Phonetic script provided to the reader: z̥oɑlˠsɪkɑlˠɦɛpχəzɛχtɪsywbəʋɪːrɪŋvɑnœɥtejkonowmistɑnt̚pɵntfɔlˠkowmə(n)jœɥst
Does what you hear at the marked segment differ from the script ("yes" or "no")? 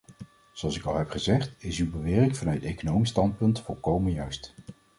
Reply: no